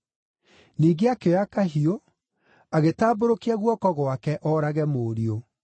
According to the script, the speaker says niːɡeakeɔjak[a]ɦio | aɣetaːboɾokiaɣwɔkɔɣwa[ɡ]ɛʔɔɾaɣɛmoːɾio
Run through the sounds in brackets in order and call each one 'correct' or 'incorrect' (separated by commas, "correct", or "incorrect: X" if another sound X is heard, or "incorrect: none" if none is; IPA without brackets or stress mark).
correct, incorrect: k